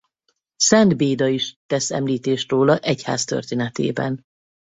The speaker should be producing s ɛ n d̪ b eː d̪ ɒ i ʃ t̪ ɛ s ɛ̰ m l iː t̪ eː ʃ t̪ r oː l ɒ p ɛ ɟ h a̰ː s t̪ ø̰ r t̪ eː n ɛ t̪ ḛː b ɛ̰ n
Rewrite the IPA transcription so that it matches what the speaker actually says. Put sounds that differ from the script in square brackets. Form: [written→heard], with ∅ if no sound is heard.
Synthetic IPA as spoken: s ɛ n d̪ b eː d̪ ɒ i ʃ t̪ ɛ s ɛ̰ m l iː t̪ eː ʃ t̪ r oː l ɒ [p→ʔ] ɛ [ɟ→c] h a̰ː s t̪ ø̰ r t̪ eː n ɛ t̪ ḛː b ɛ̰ n